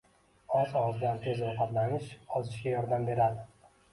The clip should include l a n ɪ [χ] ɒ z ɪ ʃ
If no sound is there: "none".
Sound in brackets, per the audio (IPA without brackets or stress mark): ʃ